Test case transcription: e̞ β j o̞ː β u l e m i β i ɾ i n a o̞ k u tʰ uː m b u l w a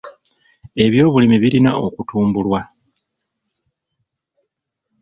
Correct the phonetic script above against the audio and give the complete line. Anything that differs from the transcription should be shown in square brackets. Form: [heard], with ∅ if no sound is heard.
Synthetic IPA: e̞ β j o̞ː β u l [i] m i β i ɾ i n a o̞ k u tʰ uː m b u l w a